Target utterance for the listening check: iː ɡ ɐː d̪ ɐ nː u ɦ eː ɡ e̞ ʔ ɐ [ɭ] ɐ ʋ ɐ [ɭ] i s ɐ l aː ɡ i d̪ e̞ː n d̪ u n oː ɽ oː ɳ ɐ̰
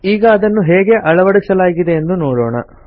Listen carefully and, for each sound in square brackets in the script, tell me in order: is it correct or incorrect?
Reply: correct, incorrect

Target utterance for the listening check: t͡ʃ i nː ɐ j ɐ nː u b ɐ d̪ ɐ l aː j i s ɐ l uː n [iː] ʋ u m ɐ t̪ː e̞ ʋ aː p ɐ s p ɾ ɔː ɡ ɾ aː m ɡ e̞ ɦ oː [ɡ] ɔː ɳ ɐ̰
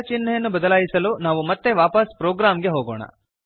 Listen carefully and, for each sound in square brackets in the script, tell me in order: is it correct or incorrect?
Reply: incorrect, correct

